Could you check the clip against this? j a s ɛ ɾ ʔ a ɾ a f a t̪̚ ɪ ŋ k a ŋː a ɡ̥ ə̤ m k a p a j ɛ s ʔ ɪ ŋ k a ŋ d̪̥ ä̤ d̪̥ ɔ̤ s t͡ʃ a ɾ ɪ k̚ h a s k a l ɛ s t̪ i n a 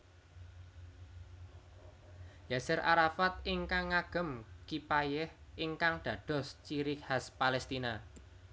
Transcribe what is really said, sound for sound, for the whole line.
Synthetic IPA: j a s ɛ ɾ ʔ a ɾ a f a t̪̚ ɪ ŋ k a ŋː a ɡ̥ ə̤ m k i p a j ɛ h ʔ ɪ ŋ k a ŋ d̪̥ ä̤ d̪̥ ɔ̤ s t͡ʃ i ɾ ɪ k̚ h a s p a l ɛ s t̪ i n a